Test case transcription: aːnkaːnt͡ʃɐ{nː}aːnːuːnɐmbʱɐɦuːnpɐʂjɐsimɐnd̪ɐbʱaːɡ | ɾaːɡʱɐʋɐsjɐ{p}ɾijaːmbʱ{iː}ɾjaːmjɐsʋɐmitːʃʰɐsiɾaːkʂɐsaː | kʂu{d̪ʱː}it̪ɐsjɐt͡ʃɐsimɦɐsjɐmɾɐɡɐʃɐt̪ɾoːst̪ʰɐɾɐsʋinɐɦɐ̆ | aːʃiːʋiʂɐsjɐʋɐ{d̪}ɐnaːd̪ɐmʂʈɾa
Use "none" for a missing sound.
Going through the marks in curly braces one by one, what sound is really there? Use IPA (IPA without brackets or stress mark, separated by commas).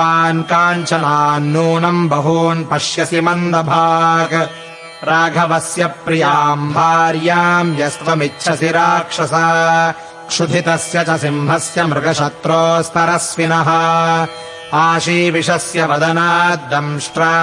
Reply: n, p, aː, d̪ʱ, d̪